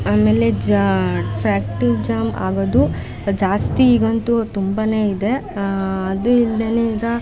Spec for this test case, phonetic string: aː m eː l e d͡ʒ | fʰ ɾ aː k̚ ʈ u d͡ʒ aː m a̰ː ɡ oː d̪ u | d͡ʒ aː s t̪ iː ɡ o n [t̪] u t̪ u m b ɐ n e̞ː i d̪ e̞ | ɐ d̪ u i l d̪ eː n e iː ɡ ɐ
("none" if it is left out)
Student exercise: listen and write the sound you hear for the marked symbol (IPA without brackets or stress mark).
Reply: t̪